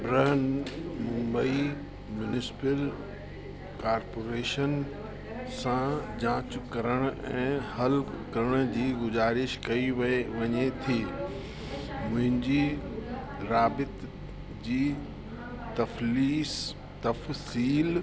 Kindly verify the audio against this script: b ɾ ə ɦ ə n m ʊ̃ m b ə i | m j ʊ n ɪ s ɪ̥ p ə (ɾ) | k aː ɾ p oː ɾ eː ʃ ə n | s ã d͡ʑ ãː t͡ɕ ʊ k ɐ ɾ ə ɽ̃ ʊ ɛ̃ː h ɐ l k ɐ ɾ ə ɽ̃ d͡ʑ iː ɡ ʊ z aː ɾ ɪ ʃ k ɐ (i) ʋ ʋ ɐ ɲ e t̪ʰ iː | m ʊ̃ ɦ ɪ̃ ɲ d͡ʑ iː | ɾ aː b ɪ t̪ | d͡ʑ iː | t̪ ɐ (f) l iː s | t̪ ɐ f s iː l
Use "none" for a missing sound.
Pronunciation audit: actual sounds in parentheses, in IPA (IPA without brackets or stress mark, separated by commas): l, i, f